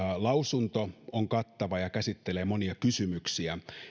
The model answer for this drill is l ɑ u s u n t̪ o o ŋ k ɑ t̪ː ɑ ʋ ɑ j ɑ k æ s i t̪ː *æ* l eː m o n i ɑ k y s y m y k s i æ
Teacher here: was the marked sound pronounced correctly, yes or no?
no